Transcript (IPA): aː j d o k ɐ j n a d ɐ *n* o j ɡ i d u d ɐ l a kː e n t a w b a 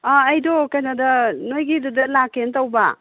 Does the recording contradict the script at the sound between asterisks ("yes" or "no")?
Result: no